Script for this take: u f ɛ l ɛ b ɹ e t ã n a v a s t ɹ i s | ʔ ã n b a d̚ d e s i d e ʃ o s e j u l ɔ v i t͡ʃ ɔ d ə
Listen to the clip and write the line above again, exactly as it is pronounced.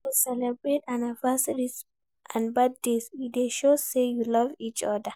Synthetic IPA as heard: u s ɛ l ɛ b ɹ e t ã n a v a s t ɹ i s | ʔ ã n b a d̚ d e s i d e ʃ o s e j u l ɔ v i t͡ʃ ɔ d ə

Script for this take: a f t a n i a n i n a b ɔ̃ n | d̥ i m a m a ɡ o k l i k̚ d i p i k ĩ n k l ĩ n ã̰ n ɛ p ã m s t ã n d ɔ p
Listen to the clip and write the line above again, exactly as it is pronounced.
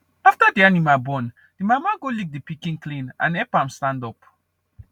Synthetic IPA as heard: a f t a d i a n i m a b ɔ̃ n | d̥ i m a m a ɡ o l i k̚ d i p i k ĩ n k l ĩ n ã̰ n ɛ p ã m s t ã n d ɔ p

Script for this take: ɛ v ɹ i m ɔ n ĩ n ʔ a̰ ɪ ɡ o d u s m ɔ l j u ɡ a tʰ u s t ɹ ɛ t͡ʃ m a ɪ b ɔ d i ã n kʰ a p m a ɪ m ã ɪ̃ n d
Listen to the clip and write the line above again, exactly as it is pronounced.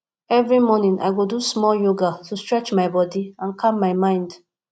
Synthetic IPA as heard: ɛ v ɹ i m ɔ n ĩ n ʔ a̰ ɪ ɡ o d u s m ɔ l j o ɡ a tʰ u s t ɹ ɛ t͡ʃ m a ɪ b ɔ d i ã n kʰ a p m a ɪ m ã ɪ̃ n d

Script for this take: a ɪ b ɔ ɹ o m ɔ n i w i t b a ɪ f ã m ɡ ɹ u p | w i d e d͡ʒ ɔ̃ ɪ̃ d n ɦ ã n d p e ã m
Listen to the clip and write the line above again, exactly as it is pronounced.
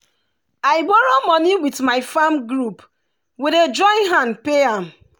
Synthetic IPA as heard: a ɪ b ɔ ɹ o m ɔ n i w i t m a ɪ f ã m ɡ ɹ u p | w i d e d͡ʒ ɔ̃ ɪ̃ n ɦ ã n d p e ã m

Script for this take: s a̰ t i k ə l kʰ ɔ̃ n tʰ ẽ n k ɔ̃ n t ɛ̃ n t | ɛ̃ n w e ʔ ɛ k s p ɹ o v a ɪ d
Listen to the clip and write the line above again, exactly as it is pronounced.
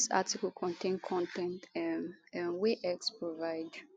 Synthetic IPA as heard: s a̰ t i k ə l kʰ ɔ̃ n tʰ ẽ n kʰ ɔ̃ n t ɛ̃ n t | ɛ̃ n w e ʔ ɛ k s p ɹ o v a ɪ d

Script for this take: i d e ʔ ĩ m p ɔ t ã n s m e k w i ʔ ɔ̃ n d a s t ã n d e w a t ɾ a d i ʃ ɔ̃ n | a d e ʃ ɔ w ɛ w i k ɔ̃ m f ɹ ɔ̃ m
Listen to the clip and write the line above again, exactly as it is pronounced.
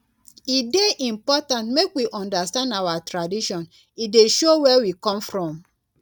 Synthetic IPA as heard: i d e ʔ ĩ m p ɔ t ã n t m e k w i ʔ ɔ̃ n d a s t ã n d a w a t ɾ a d i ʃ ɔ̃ n | i d e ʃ o w ɛ w i k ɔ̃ m f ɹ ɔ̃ m

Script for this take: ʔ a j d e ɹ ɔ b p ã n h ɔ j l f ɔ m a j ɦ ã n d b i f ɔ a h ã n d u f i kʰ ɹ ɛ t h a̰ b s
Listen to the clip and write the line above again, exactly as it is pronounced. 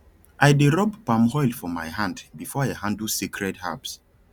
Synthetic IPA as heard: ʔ a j d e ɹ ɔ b p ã m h ɔ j l f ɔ m a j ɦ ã n d b i f ɔ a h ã n d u s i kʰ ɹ ɛ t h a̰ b s

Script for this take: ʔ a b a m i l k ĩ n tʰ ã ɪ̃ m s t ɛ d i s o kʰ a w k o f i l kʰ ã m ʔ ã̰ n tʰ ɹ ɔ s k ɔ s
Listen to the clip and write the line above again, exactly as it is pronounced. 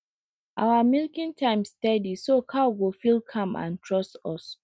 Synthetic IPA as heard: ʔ a w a m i l k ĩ n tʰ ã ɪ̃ m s t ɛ d i s o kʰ a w ɡ o f i l kʰ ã m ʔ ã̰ n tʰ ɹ ɔ s t ɔ s

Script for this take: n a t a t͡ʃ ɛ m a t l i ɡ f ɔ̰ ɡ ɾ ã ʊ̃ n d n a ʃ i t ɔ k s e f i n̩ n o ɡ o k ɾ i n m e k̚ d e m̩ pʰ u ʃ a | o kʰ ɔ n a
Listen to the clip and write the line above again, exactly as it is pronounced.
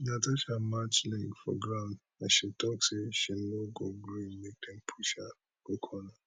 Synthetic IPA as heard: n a t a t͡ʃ a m a t͡ʃ l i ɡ f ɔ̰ ɡ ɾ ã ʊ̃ n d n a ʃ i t ɔ k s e ʃ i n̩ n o ɡ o ɡ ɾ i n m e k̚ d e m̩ pʰ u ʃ a | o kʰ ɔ n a

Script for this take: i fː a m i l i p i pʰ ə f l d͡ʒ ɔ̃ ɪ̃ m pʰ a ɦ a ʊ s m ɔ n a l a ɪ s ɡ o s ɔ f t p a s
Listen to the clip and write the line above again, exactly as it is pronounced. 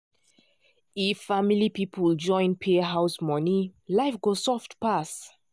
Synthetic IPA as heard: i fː a m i l i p i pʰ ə l d͡ʒ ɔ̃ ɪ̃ n pʰ e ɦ a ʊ s m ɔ n i l a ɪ f ɡ o s ɔ f t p a s

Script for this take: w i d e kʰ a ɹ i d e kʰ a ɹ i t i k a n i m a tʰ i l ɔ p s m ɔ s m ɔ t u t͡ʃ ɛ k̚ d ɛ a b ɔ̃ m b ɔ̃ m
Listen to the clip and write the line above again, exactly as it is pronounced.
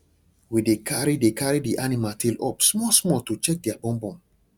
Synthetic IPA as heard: w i d e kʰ a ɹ i d e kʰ a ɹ i d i ʔ a n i m a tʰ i l ɔ p s m ɔ s m ɔ t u t͡ʃ ɛ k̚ d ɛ a b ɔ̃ m b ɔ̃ m

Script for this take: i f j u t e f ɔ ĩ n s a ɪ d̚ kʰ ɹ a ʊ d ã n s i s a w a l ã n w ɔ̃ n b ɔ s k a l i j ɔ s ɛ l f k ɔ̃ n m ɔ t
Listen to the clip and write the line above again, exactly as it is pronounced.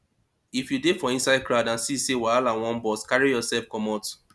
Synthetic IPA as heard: i f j u d e f ɔ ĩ n s a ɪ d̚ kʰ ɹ a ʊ d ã n s i s e w a l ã n w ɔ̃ n b ɔ s k a ɹ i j ɔ s ɛ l f k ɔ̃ m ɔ t

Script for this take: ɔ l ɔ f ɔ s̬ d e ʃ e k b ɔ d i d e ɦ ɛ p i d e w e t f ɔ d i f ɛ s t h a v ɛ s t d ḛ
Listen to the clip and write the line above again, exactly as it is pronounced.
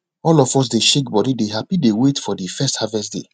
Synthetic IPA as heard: ɔ l ɔ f ɔ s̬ d e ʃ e k b ɔ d i d e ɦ a p i d e w e t f ɔ d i f ɛ s t h a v ɛ s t d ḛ

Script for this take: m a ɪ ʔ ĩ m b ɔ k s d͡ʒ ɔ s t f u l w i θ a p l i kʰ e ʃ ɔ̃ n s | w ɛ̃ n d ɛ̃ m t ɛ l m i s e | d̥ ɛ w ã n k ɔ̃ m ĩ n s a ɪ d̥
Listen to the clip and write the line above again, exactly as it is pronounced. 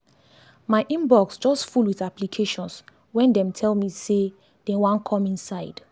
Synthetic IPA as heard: m a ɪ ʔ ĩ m b ɔ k s d͡ʒ ɔ s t f u l w i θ a p l i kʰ e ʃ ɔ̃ n s | w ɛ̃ n d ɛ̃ m tʰ ɛ l m i s e | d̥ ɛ w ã n kʰ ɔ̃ m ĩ n s a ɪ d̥

